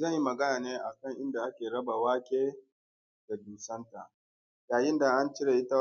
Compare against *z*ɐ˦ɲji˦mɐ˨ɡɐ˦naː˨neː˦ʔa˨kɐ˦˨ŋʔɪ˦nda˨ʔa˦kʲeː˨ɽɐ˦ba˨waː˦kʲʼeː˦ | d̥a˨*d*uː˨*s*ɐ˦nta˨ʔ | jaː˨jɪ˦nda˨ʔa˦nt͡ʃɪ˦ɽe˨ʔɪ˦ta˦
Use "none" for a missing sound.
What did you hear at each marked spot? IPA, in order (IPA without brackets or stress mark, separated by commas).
z, d, s